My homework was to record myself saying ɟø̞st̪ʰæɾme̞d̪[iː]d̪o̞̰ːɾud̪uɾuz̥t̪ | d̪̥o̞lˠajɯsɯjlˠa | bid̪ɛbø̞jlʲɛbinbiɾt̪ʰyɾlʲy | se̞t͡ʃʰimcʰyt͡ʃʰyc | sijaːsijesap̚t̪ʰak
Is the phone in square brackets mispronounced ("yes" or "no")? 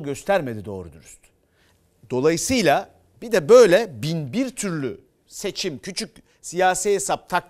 yes